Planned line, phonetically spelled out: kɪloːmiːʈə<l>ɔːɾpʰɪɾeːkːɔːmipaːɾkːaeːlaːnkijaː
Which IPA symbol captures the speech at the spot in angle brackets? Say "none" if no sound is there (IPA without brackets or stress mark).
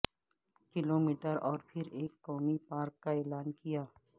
ɾ